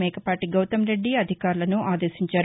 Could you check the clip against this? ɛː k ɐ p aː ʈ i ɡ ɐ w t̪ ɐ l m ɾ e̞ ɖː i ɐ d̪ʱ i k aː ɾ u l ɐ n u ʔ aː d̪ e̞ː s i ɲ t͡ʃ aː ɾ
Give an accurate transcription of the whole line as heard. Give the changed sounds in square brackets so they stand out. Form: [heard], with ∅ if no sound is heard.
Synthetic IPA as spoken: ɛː k ɐ p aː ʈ i ɡ ɐ w t̪ ɐ [∅] m ɾ e̞ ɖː i ɐ d̪ʱ i k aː ɾ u l ɐ n u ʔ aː d̪ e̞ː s i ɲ t͡ʃ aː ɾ